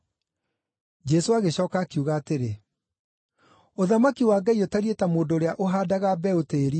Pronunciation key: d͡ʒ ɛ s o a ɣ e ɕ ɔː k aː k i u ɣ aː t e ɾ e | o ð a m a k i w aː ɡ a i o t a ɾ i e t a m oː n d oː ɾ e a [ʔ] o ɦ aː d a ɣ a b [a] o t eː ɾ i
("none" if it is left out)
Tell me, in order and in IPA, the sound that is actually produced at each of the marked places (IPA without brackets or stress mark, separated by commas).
ʔ, ɛ